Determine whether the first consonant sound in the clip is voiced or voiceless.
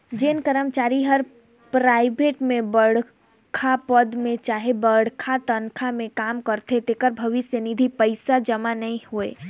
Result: voiced